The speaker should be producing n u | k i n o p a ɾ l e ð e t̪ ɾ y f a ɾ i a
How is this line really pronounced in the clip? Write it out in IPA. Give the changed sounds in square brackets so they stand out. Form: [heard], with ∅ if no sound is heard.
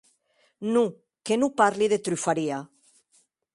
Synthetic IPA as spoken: n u | k [e] n [u] p a ɾ l [i] ð e t̪ ɾ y f a ɾ i a